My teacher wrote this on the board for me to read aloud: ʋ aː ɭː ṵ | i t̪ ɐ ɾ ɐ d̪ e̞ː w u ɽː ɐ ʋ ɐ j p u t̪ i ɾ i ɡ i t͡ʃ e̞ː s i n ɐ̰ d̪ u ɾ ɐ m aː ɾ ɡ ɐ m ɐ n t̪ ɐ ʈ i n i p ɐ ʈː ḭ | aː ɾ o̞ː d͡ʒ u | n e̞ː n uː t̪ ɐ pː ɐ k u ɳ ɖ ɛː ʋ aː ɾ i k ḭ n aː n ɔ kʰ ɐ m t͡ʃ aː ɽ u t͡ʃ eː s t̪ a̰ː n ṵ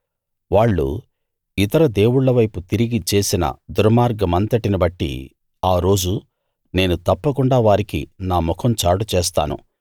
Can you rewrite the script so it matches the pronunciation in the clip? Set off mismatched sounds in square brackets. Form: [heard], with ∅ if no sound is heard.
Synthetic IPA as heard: ʋ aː ɭː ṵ | i t̪ ɐ ɾ ɐ d̪ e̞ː w u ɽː ɐ ʋ ɐ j p u t̪ i ɾ i ɡ i t͡ʃ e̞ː s i n ɐ̰ d̪ u ɾ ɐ m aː ɾ ɡ ɐ m ɐ n t̪ ɐ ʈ i n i [b] ɐ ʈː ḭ | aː ɾ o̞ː d͡ʒ u | n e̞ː n [u] t̪ ɐ pː ɐ k u ɳ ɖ [aː] ʋ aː ɾ i k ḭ n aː [m] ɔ kʰ ɐ m t͡ʃ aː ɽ u t͡ʃ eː s t̪ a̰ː n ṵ